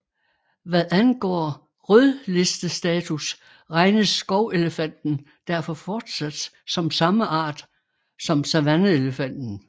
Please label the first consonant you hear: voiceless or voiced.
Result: voiced